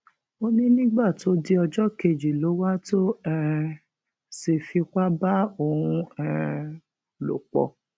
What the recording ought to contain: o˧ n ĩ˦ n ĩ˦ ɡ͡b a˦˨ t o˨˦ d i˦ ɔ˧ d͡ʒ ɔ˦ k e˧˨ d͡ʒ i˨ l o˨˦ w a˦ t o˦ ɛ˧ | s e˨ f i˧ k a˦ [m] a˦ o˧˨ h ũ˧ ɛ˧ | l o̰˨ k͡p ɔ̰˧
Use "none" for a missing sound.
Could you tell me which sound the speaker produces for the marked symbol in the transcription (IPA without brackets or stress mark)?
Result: b